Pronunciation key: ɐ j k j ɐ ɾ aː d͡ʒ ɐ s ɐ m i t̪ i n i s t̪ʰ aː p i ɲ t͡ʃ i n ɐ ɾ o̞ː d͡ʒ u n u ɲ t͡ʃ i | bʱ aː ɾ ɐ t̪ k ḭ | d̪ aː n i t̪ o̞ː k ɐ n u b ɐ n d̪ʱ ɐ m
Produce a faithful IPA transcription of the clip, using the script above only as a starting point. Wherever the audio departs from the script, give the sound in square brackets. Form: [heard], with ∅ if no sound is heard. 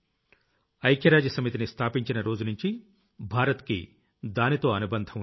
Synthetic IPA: ɐ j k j ɐ ɾ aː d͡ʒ ɐ s ɐ m i t̪ i n i s t̪ʰ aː p i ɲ t͡ʃ i n ɐ ɾ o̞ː d͡ʒ u n u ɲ t͡ʃ i | bʱ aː ɾ ɐ t̪ k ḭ | d̪ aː n i t̪ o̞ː [∅] ɐ n u b ɐ n d̪ʱ ɐ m